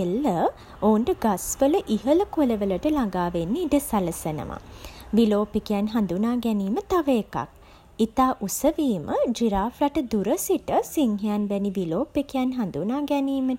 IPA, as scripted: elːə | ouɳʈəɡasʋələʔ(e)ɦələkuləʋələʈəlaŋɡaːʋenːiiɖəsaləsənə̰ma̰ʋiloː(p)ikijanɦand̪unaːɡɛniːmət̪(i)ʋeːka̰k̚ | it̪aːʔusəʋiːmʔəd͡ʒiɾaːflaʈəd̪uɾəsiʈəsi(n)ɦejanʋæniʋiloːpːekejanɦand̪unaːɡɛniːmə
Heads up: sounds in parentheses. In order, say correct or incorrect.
incorrect: i, correct, incorrect: a, incorrect: ŋ

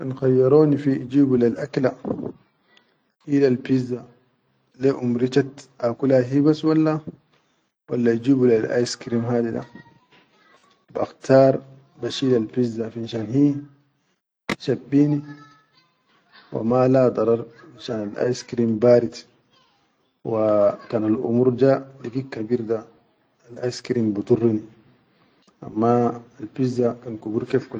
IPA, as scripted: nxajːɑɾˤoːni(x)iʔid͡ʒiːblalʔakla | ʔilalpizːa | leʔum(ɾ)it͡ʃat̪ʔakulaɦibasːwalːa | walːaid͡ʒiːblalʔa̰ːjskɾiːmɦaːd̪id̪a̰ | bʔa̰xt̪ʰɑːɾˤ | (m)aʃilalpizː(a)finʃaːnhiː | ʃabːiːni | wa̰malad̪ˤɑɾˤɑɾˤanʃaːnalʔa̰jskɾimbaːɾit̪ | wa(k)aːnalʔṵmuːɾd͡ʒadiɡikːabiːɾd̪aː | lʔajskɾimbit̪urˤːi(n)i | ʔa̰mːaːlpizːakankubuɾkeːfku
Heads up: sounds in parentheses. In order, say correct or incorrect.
incorrect: f, correct, incorrect: b, correct, correct, correct

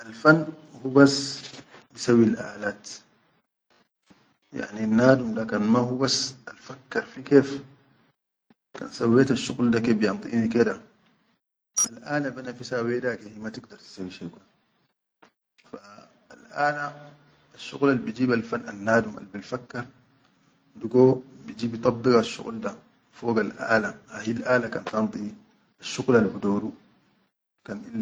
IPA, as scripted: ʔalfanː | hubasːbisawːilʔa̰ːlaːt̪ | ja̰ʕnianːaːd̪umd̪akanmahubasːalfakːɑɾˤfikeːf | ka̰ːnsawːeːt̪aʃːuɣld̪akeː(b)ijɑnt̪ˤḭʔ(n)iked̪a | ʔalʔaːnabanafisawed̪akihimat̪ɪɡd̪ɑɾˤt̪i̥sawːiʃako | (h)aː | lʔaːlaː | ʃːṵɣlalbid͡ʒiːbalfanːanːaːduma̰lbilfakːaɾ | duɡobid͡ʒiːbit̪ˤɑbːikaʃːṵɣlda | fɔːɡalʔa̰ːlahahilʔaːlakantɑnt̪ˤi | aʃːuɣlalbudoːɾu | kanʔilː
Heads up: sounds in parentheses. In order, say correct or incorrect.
correct, correct, incorrect: f

